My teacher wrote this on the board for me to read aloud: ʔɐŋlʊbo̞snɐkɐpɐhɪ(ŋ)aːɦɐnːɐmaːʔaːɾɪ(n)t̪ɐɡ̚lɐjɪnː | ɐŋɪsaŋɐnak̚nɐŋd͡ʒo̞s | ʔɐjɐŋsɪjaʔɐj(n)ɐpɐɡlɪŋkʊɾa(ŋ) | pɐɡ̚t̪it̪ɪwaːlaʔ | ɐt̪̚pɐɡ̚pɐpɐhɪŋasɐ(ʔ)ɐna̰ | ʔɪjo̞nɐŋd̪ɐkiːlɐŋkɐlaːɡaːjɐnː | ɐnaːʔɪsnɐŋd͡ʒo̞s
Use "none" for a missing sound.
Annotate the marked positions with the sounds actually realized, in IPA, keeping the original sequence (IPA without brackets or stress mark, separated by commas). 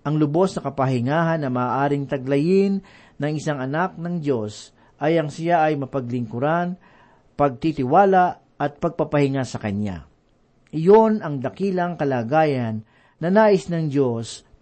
ŋ, ŋ, m, n, k